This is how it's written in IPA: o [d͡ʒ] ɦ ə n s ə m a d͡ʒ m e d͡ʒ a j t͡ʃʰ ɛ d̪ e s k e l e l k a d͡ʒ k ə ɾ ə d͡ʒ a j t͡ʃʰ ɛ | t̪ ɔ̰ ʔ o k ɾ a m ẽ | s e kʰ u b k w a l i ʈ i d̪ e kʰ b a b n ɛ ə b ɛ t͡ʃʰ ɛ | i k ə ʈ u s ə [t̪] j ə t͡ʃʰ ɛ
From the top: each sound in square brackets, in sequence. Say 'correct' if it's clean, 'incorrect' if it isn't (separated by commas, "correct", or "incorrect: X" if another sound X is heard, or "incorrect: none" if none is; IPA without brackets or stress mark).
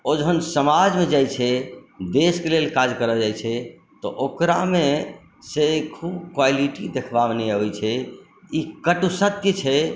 correct, correct